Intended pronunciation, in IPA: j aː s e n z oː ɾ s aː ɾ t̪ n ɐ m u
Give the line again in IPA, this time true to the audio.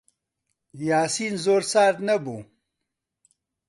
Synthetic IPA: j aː s i n z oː ɾ s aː ɾ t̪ n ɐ b u

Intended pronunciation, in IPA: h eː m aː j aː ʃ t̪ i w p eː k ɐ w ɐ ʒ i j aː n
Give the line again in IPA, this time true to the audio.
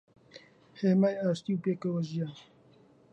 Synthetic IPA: h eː m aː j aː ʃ t̪ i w p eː k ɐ w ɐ ʒ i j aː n

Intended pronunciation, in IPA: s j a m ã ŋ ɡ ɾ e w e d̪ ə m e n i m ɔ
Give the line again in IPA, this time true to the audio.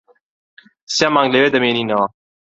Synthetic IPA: s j a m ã ŋ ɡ l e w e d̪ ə m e n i n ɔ

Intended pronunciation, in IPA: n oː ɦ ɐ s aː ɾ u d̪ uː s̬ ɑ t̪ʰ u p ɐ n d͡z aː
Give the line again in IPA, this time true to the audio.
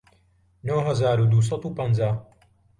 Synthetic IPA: n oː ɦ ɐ z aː ɾ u d̪ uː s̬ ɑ t̪ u p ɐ n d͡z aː

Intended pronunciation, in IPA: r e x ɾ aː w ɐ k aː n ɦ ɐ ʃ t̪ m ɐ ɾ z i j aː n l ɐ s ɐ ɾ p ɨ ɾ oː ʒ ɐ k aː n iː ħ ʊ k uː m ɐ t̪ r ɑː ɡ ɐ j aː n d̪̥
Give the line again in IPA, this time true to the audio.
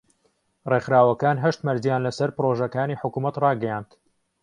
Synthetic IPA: r e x ɾ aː w ɐ k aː n ɦ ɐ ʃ t̪ m ɐ ɾ z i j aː n l ɐ s ɐ ɾ p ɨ ɾ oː ʒ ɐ k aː n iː ħ ʊ k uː m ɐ t̪ r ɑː ɡ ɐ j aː n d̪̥

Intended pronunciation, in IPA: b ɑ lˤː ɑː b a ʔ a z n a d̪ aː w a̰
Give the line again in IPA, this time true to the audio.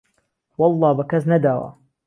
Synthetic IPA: w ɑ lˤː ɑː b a k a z n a d̪ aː w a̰

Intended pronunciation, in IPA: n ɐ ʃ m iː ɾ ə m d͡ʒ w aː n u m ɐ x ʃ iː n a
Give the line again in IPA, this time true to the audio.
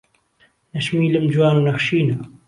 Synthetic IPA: n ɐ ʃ m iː l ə m d͡ʒ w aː n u n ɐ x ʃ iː n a

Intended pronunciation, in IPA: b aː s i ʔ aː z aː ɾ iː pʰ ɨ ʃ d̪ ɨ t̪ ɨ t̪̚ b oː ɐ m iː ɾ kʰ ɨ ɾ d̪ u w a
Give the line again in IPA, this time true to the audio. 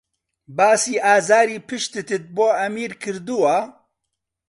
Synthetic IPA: b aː s iː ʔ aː z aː ɾ iː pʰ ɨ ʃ t̪ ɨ t̪ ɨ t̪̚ b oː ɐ m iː ɾ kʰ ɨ ɾ d̪ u w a

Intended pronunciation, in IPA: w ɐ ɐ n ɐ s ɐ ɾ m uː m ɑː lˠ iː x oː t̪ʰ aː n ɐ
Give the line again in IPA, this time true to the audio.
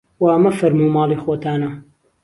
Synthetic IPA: w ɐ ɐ m ɐ f ɐ ɾ m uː m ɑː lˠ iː x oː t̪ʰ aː n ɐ

